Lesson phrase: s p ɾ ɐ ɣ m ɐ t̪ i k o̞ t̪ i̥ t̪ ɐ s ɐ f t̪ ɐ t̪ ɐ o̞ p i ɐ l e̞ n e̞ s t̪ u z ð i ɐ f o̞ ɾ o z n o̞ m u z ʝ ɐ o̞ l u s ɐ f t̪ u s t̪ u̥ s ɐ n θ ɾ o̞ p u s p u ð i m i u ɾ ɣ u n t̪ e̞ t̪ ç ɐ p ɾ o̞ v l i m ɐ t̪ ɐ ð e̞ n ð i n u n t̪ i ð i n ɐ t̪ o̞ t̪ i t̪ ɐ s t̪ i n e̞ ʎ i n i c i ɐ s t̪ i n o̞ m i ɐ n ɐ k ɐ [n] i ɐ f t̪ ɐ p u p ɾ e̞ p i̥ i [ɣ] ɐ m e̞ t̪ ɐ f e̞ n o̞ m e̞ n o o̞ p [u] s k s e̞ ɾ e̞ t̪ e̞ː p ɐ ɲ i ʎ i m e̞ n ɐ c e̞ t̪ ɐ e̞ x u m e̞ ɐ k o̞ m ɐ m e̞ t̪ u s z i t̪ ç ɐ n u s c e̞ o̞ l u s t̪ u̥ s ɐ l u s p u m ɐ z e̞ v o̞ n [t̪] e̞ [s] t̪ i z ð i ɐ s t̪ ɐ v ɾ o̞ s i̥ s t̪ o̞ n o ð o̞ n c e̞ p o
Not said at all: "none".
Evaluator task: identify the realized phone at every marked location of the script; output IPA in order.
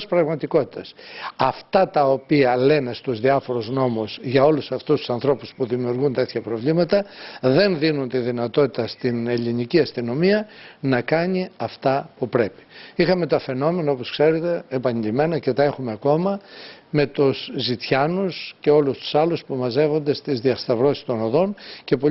ɲ, x, o, d̪, s

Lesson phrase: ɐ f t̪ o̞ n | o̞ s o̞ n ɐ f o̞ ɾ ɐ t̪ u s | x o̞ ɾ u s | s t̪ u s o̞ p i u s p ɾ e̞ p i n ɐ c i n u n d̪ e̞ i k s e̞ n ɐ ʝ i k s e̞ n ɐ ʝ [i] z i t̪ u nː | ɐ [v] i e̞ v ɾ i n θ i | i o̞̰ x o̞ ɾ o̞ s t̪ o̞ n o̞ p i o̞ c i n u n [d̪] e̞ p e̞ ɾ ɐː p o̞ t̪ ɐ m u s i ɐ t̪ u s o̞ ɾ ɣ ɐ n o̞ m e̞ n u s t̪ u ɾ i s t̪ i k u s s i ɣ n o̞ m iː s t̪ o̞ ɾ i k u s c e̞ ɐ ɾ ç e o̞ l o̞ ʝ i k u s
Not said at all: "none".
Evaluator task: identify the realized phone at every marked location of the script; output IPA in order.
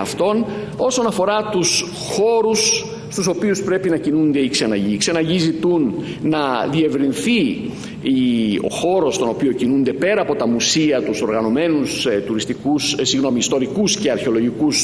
i, ð, d̪

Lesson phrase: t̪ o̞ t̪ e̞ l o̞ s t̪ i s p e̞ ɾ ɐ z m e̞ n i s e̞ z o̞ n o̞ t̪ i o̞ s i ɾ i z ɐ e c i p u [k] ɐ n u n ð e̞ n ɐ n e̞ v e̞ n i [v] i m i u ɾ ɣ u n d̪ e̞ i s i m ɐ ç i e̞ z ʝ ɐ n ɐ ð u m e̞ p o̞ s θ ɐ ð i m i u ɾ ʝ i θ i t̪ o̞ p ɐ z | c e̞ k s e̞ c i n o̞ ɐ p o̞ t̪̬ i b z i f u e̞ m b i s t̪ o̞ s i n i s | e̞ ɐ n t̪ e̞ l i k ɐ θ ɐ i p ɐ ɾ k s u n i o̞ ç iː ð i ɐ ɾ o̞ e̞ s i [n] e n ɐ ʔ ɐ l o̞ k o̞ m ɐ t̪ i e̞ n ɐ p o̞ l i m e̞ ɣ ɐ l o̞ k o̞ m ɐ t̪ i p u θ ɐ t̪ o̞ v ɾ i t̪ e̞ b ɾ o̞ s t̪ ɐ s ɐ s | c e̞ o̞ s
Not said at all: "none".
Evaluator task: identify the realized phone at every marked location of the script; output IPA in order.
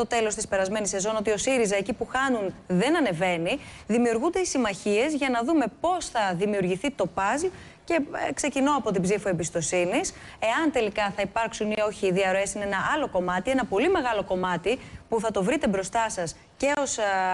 x, ð, n

